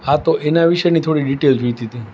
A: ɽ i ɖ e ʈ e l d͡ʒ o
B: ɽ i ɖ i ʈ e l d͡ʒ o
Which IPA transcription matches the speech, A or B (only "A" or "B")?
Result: B